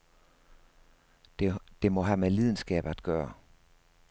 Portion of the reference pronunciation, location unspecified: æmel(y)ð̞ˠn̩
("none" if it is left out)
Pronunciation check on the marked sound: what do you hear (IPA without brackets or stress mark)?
i